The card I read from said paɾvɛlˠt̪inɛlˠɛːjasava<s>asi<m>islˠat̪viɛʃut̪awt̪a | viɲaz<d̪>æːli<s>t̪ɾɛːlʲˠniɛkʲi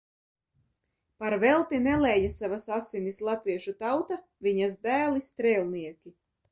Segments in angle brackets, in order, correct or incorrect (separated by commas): correct, incorrect, correct, correct